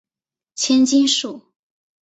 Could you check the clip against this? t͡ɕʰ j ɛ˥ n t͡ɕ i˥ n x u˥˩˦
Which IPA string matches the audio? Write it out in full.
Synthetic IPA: t͡ɕʰ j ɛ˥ n t͡ɕ i˥ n ʂ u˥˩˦

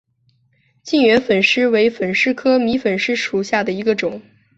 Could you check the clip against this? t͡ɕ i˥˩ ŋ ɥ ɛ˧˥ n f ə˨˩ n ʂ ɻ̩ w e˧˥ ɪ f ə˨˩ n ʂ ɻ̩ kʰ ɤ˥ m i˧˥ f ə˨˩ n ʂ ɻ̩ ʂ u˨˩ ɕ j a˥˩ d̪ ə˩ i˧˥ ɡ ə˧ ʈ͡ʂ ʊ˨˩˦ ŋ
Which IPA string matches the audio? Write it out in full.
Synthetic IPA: t͡ɕ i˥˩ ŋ ɥ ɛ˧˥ n f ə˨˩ n ʂ ɻ̩ w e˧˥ ɪ f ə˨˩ n ʂ ɻ̩ kʰ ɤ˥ m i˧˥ f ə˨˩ n ʂ ɻ̩ ʂ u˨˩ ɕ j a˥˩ d̪ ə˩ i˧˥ ɡ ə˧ ʈ͡ʂ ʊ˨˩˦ ŋ

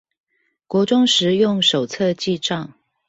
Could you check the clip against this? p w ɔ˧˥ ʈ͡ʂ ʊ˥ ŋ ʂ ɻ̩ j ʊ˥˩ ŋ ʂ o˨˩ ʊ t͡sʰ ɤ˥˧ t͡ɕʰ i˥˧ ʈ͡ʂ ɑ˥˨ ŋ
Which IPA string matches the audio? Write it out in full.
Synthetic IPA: k w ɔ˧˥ ʈ͡ʂ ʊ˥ ŋ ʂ ɻ̩ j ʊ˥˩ ŋ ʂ o˨˩ ʊ t͡sʰ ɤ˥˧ t͡ɕ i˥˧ ʈ͡ʂ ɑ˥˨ ŋ

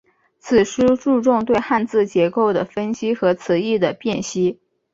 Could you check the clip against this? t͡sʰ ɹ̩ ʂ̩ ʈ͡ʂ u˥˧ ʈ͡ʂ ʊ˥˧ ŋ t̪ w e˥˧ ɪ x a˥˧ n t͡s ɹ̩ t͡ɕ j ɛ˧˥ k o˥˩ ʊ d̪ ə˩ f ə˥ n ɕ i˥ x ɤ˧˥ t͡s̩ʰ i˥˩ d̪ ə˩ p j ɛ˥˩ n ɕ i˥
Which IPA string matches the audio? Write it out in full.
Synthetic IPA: t͡sʰ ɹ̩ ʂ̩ ʈ͡ʂ u˥˧ ʈ͡ʂ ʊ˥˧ ŋ t̪ w e˥˧ ɪ x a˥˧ n t͡s ɹ̩ t͡ɕ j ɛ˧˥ k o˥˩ ʊ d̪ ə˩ f ə˥ n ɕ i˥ x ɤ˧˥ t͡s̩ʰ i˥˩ d̪ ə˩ p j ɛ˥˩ n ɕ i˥

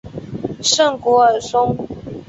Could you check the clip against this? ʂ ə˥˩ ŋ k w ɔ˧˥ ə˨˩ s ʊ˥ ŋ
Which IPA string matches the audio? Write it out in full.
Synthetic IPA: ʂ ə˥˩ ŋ k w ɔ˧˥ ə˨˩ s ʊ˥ ŋ

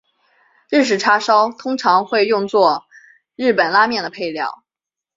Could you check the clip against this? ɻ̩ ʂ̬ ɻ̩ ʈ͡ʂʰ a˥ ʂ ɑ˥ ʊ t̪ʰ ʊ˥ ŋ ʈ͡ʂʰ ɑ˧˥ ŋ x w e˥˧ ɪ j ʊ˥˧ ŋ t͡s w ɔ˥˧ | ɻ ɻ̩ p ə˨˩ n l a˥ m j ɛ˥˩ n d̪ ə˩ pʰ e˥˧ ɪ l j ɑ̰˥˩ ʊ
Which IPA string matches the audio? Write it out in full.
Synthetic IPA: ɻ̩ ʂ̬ ɻ̩ ʈ͡ʂʰ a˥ ʂ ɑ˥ ʊ t̪ʰ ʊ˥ ŋ ʈ͡ʂʰ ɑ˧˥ ŋ x w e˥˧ ɪ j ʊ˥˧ ŋ t͡s w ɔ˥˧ | ɻ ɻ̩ p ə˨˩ n l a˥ m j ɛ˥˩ n d̪ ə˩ pʰ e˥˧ ɪ l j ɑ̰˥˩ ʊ

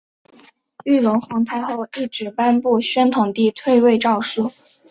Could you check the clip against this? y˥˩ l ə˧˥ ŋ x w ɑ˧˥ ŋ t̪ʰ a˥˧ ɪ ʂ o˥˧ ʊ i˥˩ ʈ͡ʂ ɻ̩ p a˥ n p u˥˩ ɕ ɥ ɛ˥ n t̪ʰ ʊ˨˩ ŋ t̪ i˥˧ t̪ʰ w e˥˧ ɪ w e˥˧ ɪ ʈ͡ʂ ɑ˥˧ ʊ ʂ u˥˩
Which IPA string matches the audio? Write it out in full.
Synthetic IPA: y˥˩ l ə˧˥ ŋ x w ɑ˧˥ ŋ t̪ʰ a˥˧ ɪ x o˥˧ ʊ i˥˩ ʈ͡ʂ ɻ̩ p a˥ n p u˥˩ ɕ ɥ ɛ˥ n t̪ʰ ʊ˨˩ ŋ t̪ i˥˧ t̪ʰ w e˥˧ ɪ w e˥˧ ɪ ʈ͡ʂ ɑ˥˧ ʊ ʂ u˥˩

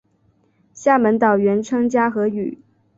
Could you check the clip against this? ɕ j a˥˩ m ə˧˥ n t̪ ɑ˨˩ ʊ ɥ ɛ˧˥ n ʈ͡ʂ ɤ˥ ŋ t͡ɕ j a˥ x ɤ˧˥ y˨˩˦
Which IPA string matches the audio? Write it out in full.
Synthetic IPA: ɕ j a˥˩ m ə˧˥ n t̪ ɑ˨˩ ʊ ɥ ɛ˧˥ n ʈ͡ʂʰ ɤ˥ ŋ t͡ɕ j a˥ x ɤ˧˥ y˨˩˦

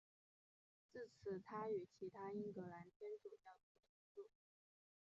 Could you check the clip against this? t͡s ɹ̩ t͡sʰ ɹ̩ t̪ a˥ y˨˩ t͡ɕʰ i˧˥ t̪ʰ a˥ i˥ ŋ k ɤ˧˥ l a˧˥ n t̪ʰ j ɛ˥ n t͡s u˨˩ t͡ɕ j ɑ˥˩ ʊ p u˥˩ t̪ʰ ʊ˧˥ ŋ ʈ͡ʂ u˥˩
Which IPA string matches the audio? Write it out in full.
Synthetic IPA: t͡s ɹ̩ t͡sʰ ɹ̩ t̪ʰ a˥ y˨˩ t͡ɕʰ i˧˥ t̪ʰ a˥ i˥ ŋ k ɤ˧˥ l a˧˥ n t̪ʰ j ɛ˥ n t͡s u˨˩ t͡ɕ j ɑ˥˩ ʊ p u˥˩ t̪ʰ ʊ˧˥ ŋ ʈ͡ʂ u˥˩

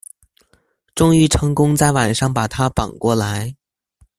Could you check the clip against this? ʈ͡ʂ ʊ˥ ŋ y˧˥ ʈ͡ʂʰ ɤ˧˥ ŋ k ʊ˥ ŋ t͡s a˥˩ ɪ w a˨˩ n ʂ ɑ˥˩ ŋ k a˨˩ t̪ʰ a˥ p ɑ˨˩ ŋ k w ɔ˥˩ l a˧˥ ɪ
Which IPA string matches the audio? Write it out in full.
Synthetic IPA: ʈ͡ʂ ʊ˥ ŋ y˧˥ ʈ͡ʂʰ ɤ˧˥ ŋ k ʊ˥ ŋ t͡s a˥˩ ɪ w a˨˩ n ʂ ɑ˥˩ ŋ p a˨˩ t̪ʰ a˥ p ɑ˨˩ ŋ k w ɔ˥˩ l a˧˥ ɪ

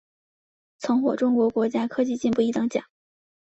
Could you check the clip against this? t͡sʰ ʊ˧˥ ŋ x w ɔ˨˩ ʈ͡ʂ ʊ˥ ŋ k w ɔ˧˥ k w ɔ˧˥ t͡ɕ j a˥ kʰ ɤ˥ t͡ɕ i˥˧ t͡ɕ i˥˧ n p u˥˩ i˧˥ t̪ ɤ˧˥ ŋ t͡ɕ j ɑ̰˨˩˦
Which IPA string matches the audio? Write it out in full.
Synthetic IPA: t͡sʰ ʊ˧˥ ŋ x w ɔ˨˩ ʈ͡ʂ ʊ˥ ŋ k w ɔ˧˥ k w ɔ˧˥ t͡ɕ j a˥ kʰ ɤ˥ t͡ɕ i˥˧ t͡ɕ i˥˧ n p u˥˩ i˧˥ t̪ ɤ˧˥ ŋ t͡ɕ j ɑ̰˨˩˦

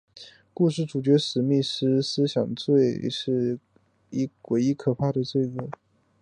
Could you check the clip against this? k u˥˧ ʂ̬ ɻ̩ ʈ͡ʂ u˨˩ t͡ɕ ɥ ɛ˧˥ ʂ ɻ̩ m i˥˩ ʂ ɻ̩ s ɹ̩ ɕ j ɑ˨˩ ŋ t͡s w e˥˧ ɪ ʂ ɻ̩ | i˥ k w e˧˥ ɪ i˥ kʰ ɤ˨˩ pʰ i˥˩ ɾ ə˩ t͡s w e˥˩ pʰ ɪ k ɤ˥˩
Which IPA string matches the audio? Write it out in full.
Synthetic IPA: k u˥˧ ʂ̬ ɻ̩ ʈ͡ʂ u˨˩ t͡ɕ ɥ ɛ˧˥ ʂ ɻ̩ m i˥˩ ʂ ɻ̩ s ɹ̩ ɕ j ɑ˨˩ ŋ t͡s w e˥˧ ɪ ʂ ɻ̩ | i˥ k w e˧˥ ɪ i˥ kʰ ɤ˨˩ pʰ a˥˩ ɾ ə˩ t͡s w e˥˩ ɪ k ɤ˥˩

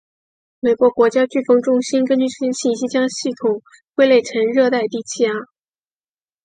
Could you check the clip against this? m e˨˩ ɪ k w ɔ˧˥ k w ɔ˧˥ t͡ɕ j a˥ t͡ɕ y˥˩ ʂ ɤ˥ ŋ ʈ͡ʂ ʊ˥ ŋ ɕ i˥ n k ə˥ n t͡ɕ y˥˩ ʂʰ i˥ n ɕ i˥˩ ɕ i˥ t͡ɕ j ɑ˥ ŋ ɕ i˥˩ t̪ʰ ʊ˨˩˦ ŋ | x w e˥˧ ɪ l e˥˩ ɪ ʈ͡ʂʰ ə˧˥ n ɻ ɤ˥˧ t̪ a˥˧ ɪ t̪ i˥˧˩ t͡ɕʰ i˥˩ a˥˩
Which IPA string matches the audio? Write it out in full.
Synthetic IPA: m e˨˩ ɪ k w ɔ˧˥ k w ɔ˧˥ t͡ɕ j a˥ t͡ɕ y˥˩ f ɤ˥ ŋ ʈ͡ʂ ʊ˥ ŋ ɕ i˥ n k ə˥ n t͡ɕ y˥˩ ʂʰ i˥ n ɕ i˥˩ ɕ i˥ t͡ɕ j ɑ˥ ŋ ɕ i˥˩ t̪ʰ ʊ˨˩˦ ŋ | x w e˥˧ ɪ l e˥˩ ɪ ʈ͡ʂʰ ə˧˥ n ɻ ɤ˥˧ t̪ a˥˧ ɪ t̪ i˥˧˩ t͡ɕʰ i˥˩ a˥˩

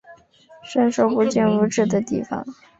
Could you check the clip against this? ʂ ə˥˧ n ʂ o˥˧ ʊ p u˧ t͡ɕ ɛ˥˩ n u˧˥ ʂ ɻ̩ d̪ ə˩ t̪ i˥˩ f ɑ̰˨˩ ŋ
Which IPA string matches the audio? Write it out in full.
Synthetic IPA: ʂ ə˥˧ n ʂ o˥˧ ʊ p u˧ t͡ɕ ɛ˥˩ n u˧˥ ʈ͡ʂ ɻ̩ d̪ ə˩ t̪ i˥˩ f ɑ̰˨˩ ŋ

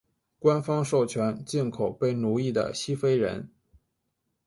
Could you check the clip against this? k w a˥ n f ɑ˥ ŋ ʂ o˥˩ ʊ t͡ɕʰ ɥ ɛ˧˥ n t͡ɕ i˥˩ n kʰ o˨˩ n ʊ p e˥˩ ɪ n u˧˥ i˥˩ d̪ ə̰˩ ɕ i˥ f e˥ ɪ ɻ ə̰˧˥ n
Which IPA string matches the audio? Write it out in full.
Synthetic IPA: k w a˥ n f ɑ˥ ŋ ʂ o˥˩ ʊ t͡ɕʰ ɥ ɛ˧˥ n t͡ɕ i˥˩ n kʰ o˨˩ ʊ p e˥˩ ɪ n u˧˥ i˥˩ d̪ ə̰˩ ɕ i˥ f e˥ ɪ ɻ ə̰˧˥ n

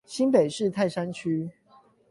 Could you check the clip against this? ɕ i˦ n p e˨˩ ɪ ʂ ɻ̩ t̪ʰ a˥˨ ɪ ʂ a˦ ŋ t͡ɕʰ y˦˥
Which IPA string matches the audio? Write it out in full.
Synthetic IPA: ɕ i˦ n p e˨˩ ɪ ʂ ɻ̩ t̪ʰ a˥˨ ɪ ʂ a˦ n t͡ɕʰ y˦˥

